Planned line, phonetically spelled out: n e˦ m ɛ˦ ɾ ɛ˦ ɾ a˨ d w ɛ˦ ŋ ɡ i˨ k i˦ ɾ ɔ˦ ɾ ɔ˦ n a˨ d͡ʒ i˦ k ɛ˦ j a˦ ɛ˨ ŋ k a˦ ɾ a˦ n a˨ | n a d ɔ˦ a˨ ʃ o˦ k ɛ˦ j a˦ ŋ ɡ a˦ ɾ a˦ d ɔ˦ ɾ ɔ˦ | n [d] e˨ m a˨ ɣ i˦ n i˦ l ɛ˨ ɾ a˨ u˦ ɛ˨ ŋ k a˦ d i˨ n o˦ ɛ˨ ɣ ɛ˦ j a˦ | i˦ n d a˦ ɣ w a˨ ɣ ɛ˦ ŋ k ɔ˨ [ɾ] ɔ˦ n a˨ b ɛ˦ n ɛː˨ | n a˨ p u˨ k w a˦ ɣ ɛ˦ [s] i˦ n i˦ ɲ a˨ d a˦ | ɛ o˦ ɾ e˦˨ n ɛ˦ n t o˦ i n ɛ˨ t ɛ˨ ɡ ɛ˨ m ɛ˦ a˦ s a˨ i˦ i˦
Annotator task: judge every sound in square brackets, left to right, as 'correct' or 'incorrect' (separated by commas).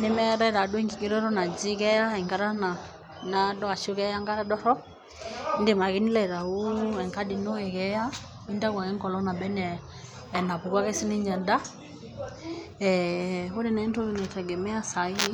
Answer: correct, incorrect, correct